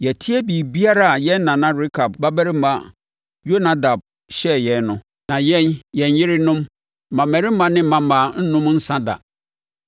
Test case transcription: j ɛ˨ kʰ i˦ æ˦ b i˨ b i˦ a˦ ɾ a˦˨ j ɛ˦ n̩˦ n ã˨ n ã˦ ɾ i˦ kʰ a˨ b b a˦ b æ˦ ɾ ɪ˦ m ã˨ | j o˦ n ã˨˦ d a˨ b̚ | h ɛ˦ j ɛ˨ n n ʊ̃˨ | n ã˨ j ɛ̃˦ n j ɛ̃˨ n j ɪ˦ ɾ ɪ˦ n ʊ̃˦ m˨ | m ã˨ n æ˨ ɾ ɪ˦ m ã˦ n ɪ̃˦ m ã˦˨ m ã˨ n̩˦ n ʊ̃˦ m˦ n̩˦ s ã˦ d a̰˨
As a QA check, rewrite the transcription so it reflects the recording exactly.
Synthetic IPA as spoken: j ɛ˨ tʰ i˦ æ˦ b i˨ b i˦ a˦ ɾ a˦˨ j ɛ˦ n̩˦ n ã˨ n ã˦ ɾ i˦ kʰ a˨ b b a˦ b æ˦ ɾ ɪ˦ m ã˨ | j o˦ n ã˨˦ d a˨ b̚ | ɕ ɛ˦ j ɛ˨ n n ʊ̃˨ | n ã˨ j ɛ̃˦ n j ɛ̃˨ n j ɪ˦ ɾ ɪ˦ n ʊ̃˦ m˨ | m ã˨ m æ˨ ɾ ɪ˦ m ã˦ n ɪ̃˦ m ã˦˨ m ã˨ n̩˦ n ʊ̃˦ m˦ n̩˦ s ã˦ d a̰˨